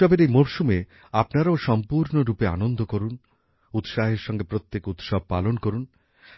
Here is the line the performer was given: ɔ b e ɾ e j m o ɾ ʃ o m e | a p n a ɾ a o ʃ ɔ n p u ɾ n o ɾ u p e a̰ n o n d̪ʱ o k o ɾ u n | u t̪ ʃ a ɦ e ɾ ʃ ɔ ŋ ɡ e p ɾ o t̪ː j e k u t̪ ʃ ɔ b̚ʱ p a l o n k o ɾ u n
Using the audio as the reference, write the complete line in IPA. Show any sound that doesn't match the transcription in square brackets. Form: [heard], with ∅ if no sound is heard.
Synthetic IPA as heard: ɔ b e ɾ e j m o ɾ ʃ [u] m e | a p n a ɾ a o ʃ ɔ [m] p u ɾ n o ɾ u p e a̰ n o n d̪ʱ o k o ɾ u n | u t̪ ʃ a ɦ e ɾ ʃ ɔ ŋ ɡ e p ɾ o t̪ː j e k u t̪ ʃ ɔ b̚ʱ p a l o n k o ɾ u n